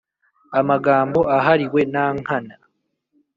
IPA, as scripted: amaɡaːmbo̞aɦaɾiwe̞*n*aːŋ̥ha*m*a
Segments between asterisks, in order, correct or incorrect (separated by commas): correct, incorrect